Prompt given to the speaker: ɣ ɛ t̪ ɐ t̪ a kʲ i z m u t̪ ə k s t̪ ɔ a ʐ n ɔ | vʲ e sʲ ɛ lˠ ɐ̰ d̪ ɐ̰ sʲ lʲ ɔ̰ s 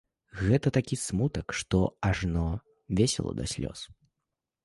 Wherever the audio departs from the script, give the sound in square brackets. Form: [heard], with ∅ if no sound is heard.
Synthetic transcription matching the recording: ɣ ɛ t̪ ɐ t̪ a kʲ i [s] m u t̪ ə k [ʂ] t̪ ɔ a ʐ n ɔ | vʲ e sʲ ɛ lˠ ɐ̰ d̪ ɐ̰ sʲ lʲ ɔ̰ s